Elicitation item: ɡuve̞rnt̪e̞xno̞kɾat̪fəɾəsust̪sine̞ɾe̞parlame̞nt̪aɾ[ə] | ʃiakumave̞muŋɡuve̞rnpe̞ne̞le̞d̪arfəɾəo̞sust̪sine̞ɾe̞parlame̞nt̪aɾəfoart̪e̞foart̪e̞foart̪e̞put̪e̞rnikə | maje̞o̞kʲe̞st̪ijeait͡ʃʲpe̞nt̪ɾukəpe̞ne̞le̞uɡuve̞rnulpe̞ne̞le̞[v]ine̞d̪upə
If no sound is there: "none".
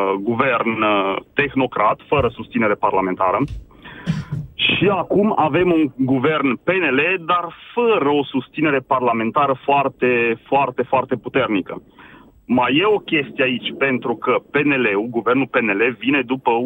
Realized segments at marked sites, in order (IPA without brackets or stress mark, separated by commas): ə, v